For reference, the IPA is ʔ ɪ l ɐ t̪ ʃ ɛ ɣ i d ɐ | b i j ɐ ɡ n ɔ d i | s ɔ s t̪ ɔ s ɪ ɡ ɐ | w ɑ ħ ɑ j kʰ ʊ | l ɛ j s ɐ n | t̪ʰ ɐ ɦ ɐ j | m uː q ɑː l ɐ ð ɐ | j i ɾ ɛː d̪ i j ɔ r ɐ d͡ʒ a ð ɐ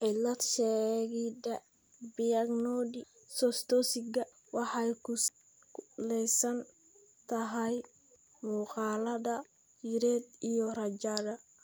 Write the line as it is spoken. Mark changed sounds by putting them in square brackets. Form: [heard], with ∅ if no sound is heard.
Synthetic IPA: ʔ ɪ l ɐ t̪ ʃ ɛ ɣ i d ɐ | b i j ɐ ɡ n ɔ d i | s ɔ s t̪ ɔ s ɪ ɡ ɐ | w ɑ ħ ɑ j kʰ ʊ | l ɛ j s ɐ n | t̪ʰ ɐ ɦ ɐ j | m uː q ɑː l ɐ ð ɐ | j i ɾ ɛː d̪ i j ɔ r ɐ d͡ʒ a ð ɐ